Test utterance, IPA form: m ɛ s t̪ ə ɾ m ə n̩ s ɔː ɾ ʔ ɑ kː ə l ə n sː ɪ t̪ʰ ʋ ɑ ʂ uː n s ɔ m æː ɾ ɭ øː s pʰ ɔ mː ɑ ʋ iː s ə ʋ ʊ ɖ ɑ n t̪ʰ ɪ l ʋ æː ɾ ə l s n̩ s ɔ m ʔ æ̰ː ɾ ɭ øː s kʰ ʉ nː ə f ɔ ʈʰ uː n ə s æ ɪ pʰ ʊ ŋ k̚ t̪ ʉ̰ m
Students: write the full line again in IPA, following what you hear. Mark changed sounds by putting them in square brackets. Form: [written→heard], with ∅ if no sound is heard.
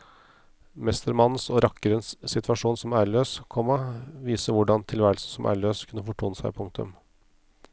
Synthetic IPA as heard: m ɛ s t̪ ə ɾ m [ə→ɑ] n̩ s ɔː ɾ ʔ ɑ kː ə [l→ɾ] ə n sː ɪ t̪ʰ ʋ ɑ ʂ uː n s ɔ m æː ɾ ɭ øː s [pʰ→kʰ] ɔ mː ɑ ʋ iː s ə ʋ ʊ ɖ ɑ n t̪ʰ ɪ l ʋ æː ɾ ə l s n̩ s ɔ m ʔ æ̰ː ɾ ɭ øː s kʰ ʉ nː ə f ɔ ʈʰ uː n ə s æ ɪ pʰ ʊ ŋ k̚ t̪ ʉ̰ m